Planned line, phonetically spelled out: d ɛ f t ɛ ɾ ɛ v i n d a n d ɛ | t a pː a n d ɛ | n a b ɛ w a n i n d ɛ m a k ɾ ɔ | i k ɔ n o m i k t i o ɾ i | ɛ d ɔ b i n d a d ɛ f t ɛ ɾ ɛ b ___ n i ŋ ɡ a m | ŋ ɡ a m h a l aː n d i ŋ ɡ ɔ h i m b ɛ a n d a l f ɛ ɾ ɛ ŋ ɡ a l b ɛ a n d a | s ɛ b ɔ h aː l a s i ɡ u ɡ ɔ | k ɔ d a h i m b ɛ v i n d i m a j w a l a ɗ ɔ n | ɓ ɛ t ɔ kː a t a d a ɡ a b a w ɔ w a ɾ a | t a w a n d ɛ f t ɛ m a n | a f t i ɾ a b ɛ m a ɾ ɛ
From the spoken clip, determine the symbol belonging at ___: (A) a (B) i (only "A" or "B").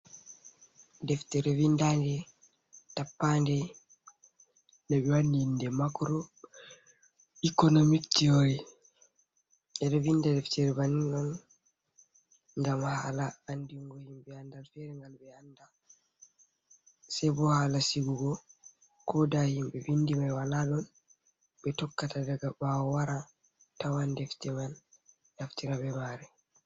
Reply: A